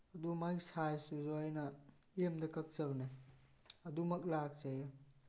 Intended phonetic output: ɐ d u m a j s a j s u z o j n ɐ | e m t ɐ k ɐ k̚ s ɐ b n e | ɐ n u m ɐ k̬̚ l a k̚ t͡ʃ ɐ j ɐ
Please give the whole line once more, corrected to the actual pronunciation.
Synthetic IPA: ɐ d u m a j s a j s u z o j n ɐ | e m d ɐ k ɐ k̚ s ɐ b n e | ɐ d u m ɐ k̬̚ l a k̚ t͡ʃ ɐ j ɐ